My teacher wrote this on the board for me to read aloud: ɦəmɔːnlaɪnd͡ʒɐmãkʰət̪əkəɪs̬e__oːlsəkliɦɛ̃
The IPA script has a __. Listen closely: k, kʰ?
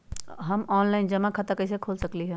kʰ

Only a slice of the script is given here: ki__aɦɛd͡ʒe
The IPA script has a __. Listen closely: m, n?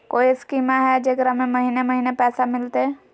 m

